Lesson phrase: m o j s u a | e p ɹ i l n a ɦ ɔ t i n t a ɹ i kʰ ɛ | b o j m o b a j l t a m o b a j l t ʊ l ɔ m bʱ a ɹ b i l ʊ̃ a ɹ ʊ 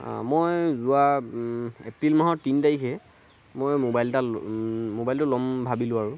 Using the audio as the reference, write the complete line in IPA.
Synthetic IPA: m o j z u a | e p ɹ i l m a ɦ ɔ t i n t a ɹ i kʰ ɛ | m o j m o b a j l t a m o b a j l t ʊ l ɔ m bʱ a b i l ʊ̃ a ɹ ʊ